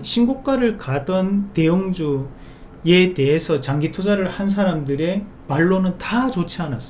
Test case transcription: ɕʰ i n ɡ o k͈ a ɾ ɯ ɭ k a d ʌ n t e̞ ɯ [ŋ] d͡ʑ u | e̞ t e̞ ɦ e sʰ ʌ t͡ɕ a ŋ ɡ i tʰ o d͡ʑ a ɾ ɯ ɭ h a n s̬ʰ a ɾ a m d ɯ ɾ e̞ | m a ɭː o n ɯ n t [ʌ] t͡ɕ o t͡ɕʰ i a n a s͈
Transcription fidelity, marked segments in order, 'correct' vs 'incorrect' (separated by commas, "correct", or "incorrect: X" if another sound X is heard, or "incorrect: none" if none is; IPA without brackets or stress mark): correct, incorrect: a